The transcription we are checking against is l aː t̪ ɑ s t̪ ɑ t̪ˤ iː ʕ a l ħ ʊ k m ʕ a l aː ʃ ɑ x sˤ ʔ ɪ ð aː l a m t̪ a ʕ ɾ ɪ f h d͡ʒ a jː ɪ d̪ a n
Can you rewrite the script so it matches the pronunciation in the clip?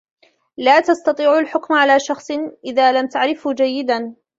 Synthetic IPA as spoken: l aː t̪ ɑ s t̪ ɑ t̪ˤ iː ʕ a l ħ ʊ k m ʕ a l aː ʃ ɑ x sˤ ʔ ɪ ð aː l a m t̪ a ʕ ɾ ɪ f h d͡ʒ a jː ɪ d̪ a n